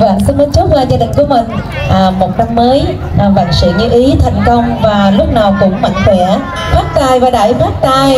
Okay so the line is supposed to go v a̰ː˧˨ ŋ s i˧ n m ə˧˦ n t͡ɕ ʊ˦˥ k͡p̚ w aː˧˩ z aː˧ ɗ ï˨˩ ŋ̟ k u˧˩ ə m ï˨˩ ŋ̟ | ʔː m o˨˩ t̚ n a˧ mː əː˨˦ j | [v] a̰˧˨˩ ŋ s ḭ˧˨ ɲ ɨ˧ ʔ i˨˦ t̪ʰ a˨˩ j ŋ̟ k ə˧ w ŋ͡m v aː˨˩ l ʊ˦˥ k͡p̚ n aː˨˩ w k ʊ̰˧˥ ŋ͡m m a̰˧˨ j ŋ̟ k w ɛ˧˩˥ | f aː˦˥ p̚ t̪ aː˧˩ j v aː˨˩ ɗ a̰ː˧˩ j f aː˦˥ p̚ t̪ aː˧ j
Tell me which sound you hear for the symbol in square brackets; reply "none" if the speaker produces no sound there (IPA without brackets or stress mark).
v